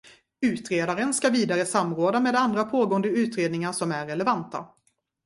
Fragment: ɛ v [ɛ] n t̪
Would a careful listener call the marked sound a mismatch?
yes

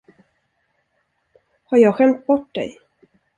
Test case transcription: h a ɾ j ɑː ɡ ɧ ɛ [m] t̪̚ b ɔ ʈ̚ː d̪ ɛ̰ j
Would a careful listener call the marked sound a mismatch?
no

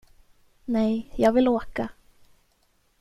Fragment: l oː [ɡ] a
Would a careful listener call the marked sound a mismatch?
yes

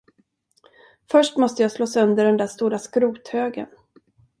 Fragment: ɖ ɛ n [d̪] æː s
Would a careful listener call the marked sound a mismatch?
no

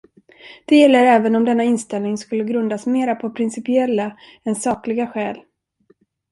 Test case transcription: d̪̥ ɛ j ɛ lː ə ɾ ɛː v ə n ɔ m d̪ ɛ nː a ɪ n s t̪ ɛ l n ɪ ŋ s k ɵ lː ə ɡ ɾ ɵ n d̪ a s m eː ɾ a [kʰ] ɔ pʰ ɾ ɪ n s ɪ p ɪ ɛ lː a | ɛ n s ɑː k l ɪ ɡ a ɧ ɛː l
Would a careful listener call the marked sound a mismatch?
yes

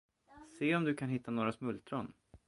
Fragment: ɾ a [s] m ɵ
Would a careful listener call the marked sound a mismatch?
no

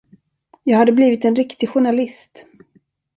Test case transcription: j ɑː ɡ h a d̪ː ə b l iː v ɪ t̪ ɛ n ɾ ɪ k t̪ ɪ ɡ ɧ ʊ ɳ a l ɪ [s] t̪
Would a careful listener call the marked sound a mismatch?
no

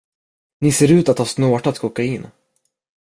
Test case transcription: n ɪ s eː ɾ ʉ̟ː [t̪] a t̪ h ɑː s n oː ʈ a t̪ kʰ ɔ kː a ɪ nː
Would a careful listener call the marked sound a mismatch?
no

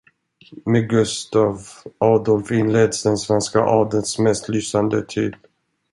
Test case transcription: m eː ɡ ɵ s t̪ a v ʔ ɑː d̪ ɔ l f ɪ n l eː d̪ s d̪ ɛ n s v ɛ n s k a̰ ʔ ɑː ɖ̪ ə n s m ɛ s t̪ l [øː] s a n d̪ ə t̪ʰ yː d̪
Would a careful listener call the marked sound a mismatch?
yes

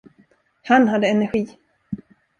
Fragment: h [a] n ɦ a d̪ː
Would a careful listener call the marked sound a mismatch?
no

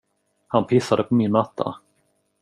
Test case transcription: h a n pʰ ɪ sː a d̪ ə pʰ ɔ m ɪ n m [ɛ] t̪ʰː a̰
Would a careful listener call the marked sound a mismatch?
yes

